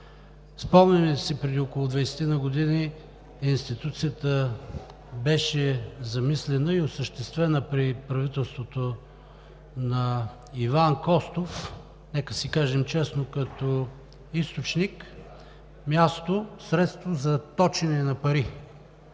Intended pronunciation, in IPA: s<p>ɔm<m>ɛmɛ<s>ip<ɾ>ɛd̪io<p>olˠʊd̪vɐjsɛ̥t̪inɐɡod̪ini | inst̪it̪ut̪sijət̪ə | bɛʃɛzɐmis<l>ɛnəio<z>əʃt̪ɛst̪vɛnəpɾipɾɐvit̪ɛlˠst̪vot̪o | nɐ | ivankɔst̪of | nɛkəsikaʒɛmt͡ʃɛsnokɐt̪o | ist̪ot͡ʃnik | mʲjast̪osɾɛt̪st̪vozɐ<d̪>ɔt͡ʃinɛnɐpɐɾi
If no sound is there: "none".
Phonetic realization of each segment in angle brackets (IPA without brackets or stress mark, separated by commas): p, n, s, ɾ, k, l, s, t̪